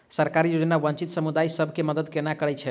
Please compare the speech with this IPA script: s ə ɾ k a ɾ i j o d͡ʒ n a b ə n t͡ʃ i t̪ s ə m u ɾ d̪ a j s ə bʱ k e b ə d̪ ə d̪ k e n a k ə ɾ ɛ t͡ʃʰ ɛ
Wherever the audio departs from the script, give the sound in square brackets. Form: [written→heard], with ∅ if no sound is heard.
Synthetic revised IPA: s ə ɾ k a ɾ i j o d͡ʒ n a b ə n t͡ʃ i t̪ s ə m u [ɾ→∅] d̪ a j s ə bʱ k e [b→m] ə d̪ ə d̪ k e n a k ə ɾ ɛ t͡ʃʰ ɛ